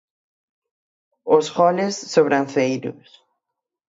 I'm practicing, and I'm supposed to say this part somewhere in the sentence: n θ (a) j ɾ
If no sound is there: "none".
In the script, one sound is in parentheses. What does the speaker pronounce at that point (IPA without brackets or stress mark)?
e